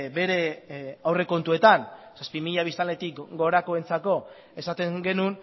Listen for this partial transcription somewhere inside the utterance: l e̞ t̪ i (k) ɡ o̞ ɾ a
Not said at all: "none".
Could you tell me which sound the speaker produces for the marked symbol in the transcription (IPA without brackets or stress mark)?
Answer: k